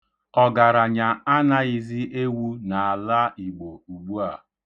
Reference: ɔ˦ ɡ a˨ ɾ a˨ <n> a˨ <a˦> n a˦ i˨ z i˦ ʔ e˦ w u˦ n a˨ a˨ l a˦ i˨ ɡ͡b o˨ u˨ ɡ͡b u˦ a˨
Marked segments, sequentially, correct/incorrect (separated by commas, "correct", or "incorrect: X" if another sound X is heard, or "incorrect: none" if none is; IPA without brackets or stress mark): incorrect: ɲ, correct